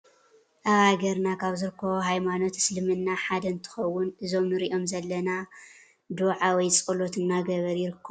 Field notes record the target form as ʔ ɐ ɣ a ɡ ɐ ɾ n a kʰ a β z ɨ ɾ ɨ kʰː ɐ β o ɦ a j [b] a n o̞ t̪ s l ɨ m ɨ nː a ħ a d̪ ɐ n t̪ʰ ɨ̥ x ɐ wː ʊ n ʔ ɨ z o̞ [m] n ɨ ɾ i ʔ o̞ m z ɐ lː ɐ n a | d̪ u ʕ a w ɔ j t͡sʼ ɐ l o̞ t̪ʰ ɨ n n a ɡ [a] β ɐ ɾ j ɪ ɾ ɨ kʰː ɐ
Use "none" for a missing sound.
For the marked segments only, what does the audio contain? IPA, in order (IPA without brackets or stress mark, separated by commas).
m, m, ɐ